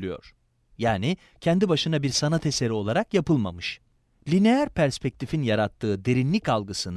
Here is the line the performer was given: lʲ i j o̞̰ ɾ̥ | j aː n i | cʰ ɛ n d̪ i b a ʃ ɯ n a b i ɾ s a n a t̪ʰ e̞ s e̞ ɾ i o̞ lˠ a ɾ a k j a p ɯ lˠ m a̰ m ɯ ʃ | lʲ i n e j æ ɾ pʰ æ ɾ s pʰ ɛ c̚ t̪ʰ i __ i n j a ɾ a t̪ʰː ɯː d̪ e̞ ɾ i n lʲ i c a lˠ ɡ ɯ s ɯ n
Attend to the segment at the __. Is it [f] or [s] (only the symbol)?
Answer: f